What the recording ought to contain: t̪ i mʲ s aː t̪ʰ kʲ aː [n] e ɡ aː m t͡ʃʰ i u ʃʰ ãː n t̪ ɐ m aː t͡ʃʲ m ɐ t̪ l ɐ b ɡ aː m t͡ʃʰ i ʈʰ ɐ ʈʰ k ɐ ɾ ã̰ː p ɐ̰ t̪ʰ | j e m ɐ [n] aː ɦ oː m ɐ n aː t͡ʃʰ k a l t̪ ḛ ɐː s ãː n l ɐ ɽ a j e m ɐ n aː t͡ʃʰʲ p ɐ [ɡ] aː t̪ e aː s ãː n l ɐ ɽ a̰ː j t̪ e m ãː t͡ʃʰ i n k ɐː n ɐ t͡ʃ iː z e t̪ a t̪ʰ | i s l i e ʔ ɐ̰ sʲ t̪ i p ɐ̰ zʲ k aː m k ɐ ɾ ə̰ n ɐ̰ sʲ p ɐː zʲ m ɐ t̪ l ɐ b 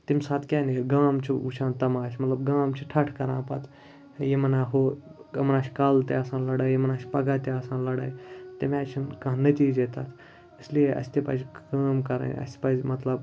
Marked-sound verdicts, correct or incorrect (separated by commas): correct, correct, correct